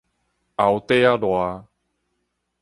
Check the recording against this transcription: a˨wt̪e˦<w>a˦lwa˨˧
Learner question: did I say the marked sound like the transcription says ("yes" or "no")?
no